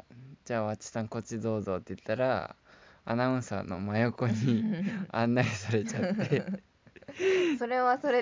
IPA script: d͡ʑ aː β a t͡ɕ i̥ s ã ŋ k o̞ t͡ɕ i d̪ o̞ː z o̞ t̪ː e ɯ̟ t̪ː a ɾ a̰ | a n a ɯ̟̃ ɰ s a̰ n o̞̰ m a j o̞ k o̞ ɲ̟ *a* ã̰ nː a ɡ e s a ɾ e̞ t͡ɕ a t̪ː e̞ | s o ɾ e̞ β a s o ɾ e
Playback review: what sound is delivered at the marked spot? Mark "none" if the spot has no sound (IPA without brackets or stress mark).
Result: i